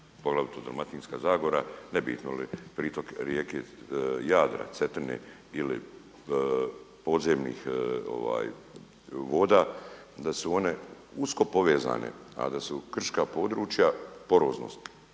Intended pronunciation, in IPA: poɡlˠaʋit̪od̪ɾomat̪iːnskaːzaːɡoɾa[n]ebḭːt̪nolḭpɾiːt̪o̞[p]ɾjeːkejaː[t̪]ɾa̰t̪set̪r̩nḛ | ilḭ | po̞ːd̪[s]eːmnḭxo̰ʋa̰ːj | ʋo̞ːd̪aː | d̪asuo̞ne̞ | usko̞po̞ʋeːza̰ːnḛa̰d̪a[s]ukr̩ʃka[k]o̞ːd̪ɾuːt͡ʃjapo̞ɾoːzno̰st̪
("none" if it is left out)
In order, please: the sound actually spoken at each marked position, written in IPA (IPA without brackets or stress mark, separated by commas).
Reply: n, k, d̪, z, s, p